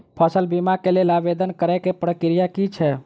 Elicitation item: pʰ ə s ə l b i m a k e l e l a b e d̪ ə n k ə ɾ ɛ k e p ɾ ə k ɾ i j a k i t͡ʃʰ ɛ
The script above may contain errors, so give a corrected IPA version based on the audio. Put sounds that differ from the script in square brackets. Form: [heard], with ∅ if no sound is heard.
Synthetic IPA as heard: pʰ ə s ə l b i m a k e l e l a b e d̪ ə n k ə ɾ ɛ k e p ɾ ə k ɾ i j a k i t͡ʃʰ ɛ